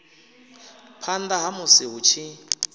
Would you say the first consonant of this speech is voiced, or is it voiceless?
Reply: voiceless